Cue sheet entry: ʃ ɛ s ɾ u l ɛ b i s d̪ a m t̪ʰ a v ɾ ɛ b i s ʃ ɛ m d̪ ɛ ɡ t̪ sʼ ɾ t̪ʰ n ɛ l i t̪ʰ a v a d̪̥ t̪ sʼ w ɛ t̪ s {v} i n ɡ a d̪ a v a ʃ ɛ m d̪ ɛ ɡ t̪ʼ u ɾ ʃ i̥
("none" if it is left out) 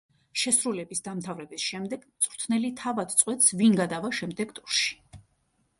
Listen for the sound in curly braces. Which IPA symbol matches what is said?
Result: v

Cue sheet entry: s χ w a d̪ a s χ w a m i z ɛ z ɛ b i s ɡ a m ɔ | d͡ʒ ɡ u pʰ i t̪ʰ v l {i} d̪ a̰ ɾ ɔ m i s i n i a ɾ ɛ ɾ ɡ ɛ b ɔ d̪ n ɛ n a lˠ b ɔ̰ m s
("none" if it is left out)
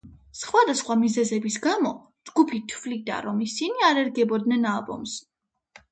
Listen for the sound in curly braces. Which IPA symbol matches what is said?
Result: i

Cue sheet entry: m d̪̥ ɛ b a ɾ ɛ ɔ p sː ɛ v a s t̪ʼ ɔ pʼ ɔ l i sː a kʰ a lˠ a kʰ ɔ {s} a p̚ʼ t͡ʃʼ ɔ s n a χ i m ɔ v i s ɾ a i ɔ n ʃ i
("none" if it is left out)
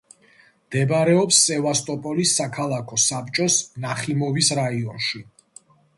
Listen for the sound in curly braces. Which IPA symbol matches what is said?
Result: s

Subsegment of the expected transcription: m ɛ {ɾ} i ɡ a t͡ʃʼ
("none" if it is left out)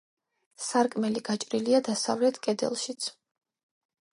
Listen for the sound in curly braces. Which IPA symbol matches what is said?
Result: l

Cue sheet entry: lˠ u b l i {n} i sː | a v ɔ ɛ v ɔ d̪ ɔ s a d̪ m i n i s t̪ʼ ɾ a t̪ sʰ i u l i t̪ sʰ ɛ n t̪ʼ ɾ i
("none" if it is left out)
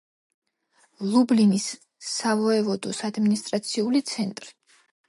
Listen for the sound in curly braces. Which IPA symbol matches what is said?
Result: n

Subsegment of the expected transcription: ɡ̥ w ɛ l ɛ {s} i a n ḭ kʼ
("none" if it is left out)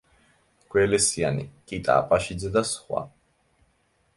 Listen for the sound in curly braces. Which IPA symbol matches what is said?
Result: s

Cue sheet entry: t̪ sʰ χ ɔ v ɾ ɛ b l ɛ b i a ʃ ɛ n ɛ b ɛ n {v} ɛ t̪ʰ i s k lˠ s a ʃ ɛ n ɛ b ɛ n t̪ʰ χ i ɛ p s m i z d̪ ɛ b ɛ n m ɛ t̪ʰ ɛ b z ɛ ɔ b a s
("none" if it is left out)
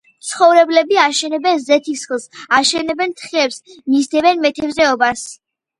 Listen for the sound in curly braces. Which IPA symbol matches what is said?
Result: z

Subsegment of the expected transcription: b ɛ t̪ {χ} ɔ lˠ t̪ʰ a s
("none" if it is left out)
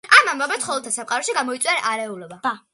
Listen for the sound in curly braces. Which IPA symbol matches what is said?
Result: χ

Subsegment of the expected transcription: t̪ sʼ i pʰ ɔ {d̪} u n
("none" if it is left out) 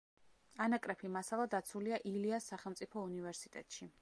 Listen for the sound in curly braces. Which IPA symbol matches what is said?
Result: none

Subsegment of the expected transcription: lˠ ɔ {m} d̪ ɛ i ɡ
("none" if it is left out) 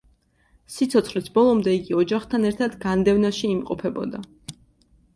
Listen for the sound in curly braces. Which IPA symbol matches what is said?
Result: m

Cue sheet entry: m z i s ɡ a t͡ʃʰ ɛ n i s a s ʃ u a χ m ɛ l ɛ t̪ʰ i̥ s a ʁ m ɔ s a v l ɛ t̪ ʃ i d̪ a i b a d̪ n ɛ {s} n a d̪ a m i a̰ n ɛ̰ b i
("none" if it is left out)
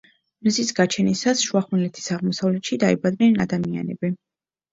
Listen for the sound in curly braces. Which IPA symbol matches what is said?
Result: none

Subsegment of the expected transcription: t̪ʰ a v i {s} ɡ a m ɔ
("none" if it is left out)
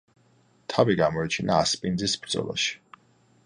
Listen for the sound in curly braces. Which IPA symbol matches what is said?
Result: none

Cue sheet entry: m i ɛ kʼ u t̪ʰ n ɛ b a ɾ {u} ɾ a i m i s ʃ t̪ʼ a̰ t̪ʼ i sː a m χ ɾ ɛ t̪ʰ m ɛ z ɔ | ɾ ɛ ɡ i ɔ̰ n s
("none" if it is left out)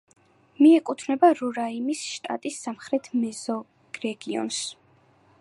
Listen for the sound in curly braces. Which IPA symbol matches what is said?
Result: u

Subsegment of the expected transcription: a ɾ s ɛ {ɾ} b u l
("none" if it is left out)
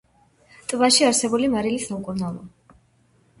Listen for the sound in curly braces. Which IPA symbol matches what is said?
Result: none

